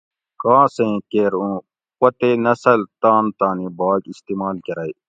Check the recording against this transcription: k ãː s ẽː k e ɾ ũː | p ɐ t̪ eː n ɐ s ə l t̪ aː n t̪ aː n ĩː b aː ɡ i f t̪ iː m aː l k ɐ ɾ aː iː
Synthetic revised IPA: k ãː s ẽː k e ɾ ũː | p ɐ t̪ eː n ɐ s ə l t̪ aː n t̪ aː n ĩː b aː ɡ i s t̪ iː m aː l k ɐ ɾ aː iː